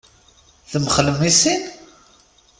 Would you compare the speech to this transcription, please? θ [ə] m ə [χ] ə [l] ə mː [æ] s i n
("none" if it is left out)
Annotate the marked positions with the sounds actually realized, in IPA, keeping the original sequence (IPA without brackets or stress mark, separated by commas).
ə, χ, l, i